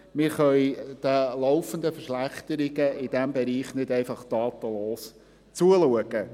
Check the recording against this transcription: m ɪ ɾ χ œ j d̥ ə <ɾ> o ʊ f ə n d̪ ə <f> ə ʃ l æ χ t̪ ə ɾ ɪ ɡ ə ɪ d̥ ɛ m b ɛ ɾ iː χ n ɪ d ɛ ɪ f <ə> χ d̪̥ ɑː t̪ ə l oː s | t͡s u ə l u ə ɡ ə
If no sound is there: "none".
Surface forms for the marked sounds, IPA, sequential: l, f, ɑ

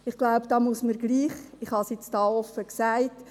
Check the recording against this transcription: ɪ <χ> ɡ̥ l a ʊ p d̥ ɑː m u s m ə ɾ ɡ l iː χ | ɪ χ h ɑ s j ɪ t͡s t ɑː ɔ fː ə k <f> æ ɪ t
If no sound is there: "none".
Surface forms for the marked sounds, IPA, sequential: χ, s

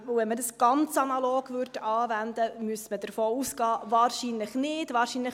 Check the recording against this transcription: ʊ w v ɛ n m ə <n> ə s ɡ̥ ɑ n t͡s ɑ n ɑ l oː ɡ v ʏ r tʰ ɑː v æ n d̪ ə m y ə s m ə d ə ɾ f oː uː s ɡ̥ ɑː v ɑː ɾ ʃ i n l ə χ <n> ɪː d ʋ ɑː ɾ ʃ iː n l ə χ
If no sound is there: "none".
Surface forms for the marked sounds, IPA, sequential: d, n

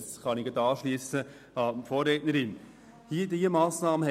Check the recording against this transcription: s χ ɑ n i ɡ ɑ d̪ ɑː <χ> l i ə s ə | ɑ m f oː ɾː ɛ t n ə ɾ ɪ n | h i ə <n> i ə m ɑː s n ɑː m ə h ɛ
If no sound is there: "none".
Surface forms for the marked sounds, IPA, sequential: ʃ, d

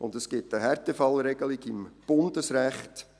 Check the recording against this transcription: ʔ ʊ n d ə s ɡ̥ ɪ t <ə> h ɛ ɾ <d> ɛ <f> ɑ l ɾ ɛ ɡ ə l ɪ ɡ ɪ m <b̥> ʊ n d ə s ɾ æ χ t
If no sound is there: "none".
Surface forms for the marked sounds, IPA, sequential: ə, t, f, b̥

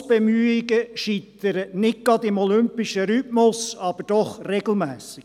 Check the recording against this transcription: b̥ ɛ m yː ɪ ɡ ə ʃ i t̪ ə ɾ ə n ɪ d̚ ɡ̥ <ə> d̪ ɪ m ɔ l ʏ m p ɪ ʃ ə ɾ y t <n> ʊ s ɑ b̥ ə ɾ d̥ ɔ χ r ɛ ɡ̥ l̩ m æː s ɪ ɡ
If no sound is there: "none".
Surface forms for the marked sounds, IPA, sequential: ɑ, m

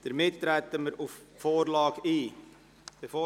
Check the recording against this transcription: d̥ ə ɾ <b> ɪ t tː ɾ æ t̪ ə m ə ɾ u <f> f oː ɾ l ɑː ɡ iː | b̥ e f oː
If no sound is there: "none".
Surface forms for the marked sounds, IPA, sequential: m, f

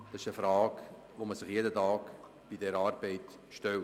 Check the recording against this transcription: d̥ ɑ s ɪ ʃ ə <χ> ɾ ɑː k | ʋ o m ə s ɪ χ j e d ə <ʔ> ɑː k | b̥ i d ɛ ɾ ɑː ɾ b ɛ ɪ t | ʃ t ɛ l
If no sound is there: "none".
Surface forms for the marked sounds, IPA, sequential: f, t

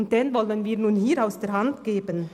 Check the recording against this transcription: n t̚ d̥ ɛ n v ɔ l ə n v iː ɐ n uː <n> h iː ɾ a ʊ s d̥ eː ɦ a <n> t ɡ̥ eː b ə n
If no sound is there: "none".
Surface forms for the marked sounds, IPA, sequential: n, n

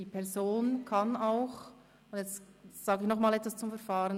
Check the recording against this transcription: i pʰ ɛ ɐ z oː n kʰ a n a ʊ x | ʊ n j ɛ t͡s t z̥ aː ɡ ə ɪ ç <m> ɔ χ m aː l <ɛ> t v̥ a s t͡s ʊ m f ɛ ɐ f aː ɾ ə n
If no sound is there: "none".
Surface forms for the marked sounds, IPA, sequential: n, ɛ

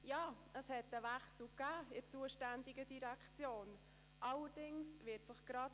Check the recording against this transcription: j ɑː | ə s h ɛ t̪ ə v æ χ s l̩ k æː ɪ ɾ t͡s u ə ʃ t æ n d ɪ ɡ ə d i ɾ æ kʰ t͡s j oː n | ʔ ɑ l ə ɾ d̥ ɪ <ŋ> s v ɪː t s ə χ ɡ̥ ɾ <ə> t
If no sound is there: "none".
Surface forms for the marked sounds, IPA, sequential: ŋ, ɑ

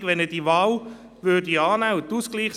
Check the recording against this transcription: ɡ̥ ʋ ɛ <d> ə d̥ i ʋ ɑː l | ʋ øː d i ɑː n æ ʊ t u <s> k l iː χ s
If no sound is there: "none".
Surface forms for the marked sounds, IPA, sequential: n, s

